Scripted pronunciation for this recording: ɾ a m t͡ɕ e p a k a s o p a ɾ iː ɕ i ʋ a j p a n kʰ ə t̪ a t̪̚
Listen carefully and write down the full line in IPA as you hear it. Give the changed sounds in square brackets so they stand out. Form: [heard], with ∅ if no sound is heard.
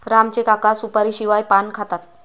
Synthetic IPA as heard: ɾ a m t͡ɕ e [k] a k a s [u] p a ɾ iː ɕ i ʋ a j p a n kʰ [a] t̪ a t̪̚

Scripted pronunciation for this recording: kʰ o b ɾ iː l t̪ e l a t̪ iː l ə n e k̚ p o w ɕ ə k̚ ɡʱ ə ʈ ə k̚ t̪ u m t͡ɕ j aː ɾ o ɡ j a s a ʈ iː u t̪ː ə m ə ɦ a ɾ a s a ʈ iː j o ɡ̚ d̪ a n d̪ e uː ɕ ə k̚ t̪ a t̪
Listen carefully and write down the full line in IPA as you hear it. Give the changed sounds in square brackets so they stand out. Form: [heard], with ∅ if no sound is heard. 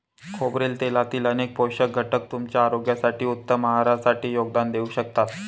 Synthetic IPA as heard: kʰ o b ɾ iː l t̪ e l a t̪ iː l ə n e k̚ p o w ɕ ə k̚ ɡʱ ə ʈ ə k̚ t̪ u m t͡ɕ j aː ɾ o ɡ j a s a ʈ iː u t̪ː ə m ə ɦ a ɾ a s a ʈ iː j o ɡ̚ d̪ a n d̪ e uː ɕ ə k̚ t̪ a t̪

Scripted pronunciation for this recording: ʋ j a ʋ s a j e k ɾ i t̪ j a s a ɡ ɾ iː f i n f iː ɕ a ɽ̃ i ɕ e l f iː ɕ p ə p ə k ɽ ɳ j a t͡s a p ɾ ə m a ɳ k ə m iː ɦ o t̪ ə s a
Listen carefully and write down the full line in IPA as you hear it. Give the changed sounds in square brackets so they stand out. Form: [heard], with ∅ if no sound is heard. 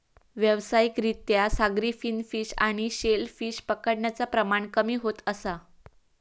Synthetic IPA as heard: ʋ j [ə] ʋ s a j [i] k ɾ i t̪ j a s a ɡ ɾ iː f i n f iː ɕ a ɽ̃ i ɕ e l f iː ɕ p ə [k] ə [∅] ɽ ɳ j a t͡s a p ɾ ə m a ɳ k ə m iː ɦ o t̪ ə s a

